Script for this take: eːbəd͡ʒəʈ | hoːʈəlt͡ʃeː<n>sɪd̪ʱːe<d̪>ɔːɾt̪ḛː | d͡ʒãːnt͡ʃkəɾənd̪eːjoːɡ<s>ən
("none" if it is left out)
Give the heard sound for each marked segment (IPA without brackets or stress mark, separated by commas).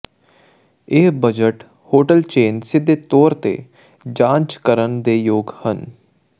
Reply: n, t̪, h